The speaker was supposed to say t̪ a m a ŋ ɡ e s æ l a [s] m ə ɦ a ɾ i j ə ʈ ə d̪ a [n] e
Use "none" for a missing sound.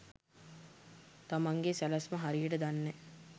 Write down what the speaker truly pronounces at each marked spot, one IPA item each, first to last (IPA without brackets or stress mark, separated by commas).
s, nː